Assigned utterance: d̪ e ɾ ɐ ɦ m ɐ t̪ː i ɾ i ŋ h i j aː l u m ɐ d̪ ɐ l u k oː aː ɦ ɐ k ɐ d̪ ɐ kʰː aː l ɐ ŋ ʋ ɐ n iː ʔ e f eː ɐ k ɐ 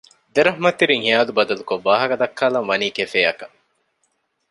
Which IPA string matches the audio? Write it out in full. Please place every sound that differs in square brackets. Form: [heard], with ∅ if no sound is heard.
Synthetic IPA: d̪ e ɾ ɐ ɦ m ɐ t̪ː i ɾ i ŋ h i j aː l u [b] ɐ d̪ ɐ l u k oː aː ɦ ɐ k ɐ d̪ ɐ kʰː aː l ɐ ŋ ʋ ɐ n iː [k] e f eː ɐ k ɐ